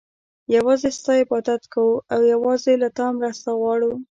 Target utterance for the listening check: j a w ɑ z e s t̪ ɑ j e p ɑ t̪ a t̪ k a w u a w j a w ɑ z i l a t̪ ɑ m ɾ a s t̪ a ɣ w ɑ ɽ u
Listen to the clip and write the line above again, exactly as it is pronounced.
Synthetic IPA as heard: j a w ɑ z e s t̪ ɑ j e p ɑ t̪ a t̪ k a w u a w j a w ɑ z e l a t̪ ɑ m ɾ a s t̪ a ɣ w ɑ ɽ u